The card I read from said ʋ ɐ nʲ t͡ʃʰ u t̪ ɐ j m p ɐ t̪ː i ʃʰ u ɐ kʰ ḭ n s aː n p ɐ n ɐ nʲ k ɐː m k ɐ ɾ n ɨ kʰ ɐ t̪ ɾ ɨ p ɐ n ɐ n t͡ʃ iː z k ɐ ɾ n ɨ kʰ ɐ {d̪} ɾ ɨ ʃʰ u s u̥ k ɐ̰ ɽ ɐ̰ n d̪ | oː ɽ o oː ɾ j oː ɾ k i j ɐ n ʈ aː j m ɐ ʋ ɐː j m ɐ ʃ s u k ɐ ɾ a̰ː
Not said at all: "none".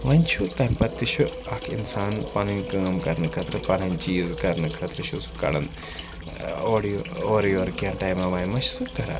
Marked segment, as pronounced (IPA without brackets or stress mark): t̪